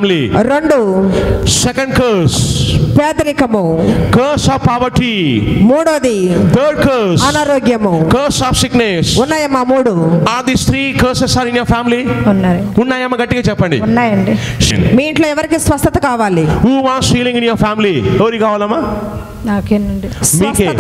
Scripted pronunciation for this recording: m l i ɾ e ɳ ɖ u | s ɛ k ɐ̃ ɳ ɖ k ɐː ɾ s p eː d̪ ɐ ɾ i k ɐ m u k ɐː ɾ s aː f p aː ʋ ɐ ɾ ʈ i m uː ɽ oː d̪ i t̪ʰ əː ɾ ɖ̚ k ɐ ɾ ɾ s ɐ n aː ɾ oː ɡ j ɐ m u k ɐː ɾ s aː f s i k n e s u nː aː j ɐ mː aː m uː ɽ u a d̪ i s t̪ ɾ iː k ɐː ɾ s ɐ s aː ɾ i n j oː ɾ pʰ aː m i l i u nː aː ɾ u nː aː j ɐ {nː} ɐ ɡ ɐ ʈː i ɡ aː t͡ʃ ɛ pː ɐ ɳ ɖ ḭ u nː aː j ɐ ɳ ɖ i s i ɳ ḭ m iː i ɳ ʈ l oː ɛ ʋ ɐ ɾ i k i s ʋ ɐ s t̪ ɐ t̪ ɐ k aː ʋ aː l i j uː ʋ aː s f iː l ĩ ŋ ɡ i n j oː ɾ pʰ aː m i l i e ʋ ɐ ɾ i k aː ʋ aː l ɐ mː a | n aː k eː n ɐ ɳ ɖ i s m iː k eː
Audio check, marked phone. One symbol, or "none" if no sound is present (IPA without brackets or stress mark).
mː